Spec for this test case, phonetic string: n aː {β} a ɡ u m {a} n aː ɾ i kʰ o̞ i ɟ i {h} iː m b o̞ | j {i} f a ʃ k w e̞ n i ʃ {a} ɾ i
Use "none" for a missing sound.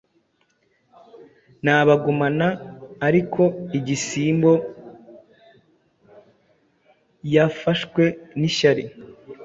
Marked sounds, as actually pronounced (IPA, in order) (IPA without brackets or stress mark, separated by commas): β, a, s, a, a